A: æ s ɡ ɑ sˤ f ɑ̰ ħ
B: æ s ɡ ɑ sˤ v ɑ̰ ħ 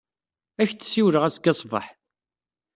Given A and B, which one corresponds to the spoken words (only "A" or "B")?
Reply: B